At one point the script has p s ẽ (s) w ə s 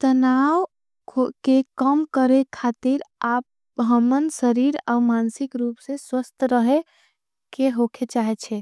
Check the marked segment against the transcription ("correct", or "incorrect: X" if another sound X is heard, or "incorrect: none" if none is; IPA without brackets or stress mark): correct